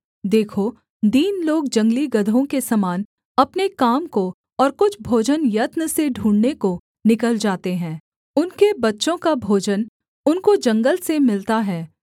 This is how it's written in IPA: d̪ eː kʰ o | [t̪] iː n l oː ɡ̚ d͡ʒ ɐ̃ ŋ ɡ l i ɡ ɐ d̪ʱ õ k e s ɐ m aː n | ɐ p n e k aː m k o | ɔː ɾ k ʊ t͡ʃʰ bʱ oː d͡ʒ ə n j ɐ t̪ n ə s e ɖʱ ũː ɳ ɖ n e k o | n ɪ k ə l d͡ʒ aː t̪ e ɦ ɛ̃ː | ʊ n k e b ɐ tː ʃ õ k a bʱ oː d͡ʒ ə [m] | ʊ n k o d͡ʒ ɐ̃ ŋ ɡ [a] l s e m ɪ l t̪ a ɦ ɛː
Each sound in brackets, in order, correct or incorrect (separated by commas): incorrect, incorrect, incorrect